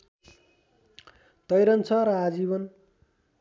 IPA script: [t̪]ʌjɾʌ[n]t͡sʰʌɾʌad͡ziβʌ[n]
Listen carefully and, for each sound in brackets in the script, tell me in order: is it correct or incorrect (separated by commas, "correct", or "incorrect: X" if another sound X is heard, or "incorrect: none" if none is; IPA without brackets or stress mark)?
correct, correct, correct